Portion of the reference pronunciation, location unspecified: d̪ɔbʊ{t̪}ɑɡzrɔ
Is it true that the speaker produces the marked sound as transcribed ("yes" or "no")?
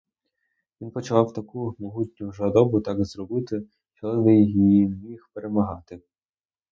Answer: yes